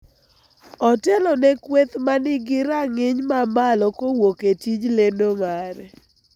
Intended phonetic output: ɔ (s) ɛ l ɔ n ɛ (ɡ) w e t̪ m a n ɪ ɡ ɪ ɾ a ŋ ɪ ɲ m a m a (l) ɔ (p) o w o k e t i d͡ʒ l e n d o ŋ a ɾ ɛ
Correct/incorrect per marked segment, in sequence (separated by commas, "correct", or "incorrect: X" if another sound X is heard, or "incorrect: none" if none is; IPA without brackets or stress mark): incorrect: t, incorrect: k, correct, incorrect: k